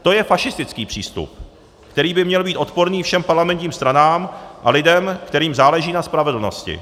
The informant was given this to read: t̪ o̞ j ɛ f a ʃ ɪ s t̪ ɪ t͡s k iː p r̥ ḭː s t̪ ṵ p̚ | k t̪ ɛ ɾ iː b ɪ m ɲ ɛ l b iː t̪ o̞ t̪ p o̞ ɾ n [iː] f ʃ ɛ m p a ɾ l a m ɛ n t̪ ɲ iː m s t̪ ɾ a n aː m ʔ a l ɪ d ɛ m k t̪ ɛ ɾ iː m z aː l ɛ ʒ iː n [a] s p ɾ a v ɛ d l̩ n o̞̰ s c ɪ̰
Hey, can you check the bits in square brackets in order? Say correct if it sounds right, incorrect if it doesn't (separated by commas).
correct, correct